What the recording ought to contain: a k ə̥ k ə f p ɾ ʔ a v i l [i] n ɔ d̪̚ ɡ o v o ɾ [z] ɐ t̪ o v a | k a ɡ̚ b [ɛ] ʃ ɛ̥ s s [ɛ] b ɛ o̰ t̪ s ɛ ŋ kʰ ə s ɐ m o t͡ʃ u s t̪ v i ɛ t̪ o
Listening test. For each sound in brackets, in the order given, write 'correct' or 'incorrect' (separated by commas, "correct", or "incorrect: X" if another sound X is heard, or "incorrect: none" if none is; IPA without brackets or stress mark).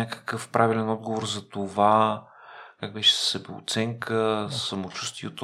incorrect: ɛ, correct, correct, correct